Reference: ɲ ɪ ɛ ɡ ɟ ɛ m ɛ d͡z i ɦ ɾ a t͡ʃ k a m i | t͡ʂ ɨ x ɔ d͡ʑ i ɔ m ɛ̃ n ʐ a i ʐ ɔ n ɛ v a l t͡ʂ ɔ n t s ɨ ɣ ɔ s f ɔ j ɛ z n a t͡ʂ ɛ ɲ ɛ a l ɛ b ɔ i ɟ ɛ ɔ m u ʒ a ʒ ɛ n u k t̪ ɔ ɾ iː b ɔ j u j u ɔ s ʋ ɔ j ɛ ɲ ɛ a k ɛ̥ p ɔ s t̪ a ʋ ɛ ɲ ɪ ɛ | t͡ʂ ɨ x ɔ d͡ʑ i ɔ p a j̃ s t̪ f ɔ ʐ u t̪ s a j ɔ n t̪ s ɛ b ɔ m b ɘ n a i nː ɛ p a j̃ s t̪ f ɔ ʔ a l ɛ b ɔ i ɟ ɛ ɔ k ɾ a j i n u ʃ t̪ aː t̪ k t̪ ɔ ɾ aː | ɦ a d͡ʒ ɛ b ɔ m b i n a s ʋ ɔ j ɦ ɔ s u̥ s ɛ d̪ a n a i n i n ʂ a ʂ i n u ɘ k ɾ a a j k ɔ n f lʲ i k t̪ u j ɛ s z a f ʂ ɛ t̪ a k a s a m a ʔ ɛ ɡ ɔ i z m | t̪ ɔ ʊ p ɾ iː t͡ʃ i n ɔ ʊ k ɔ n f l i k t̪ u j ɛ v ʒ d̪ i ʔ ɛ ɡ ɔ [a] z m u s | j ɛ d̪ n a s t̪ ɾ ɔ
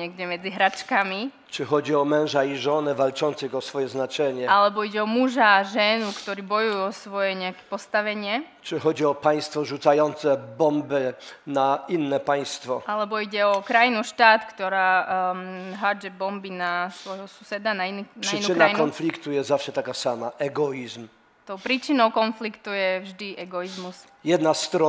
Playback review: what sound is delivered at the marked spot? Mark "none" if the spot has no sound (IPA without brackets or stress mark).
i